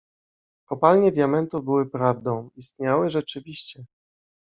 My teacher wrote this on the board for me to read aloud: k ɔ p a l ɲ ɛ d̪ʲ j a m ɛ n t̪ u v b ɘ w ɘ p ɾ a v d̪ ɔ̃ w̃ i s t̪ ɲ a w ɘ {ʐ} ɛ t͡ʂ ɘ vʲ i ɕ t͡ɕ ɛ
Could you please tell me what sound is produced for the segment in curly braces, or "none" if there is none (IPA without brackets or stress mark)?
ʐ